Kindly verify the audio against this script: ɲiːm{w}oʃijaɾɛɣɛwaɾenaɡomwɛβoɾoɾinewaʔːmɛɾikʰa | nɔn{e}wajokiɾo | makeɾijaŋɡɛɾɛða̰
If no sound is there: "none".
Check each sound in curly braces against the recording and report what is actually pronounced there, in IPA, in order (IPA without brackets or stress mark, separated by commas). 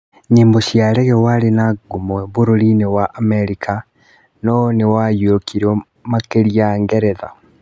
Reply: b, e